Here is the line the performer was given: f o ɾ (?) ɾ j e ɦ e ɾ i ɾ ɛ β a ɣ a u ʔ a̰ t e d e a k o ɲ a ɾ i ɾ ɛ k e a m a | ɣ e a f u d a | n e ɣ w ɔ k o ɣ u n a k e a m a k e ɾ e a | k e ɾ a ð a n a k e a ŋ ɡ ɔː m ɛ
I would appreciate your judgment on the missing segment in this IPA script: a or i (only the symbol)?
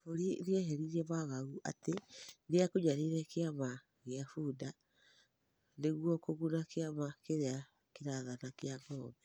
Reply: i